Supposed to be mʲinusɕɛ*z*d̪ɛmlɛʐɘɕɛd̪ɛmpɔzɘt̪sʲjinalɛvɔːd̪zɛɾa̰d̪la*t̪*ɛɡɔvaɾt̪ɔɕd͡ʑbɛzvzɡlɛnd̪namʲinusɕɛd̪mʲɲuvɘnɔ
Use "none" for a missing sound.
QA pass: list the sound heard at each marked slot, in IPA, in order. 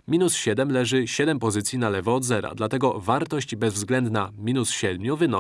none, t̪

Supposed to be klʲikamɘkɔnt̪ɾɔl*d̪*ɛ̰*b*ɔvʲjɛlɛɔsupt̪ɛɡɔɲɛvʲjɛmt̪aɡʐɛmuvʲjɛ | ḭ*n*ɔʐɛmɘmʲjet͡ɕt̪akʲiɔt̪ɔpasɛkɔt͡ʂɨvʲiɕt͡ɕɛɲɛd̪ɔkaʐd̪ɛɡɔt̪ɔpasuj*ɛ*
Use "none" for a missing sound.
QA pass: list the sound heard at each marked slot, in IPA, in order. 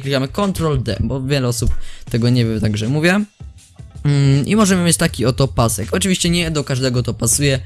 d̪, b, m, ɛ

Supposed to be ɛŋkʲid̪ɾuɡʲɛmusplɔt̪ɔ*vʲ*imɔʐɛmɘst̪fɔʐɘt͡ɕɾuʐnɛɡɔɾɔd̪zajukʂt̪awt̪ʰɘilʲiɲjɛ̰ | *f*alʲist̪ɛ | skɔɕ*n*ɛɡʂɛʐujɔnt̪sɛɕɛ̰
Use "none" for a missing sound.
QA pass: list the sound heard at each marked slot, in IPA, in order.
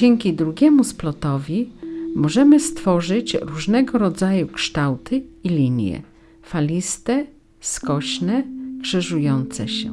vʲ, f, n

